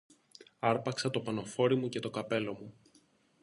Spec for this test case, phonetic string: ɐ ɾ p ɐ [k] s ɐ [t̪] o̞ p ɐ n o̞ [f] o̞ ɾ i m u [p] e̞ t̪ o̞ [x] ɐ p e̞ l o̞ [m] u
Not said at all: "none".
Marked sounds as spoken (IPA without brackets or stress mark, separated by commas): k, t̪, f, c, k, m